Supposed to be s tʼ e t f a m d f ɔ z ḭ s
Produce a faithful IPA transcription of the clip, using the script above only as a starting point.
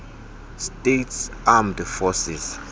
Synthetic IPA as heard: s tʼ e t s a m d f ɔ s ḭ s